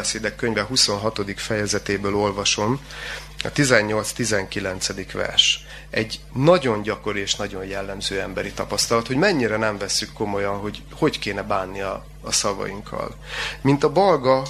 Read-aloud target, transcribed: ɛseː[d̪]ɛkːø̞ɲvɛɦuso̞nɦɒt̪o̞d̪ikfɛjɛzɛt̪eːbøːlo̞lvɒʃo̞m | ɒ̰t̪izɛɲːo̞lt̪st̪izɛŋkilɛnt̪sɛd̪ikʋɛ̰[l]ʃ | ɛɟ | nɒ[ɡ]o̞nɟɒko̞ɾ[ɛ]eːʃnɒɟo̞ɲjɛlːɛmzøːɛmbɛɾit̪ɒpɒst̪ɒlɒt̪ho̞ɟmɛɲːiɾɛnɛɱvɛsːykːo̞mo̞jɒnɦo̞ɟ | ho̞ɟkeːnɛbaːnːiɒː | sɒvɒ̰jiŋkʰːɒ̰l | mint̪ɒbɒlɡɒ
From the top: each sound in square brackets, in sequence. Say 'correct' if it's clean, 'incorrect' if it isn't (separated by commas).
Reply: correct, incorrect, incorrect, incorrect